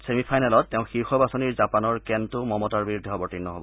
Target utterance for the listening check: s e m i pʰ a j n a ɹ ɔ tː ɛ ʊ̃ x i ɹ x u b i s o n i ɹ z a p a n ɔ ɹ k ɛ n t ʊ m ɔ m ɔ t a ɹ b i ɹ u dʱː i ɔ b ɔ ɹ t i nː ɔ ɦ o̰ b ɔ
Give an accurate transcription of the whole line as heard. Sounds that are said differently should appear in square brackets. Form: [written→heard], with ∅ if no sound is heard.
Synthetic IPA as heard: s e m i pʰ a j n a [ɹ→l] ɔ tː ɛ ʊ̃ x i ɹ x [u→ɔ] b [i→a] s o n i ɹ z a p a n ɔ ɹ k ɛ n t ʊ m ɔ m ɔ t a ɹ b i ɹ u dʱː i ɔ b ɔ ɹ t i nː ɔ ɦ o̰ b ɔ